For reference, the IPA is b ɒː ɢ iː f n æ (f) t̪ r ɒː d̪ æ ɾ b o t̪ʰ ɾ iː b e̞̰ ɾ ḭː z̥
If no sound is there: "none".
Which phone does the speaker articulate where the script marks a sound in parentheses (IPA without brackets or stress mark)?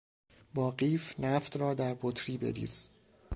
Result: f